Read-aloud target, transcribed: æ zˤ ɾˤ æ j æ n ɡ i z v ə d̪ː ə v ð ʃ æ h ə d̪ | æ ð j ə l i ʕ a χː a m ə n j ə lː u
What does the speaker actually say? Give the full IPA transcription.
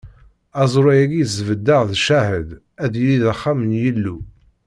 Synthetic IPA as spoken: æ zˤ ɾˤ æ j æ ɡ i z v ə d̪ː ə ʁ ð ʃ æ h ə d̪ | æ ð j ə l i ð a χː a m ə n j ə lː u